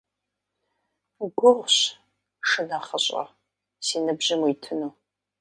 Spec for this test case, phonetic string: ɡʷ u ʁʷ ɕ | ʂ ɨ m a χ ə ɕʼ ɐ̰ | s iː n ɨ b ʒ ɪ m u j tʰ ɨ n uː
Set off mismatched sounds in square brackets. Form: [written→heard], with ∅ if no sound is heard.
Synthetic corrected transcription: ɡʷ [u→ʊ] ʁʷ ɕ | ʂ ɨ [m→n] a χ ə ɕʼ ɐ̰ | s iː n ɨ b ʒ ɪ m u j tʰ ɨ n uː